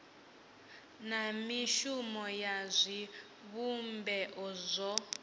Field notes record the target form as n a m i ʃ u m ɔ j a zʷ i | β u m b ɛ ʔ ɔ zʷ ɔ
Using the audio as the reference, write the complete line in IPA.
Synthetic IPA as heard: n a m i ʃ u m ɔ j a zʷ i | β u m b ɛ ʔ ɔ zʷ ɔ